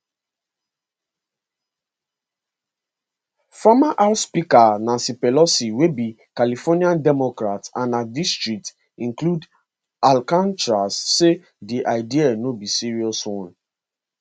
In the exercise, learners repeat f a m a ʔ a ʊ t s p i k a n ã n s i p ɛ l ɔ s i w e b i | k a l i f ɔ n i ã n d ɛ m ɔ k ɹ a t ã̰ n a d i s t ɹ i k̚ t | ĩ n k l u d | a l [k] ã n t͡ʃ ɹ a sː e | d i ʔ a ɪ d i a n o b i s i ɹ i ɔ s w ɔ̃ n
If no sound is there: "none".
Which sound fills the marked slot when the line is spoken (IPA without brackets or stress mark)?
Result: k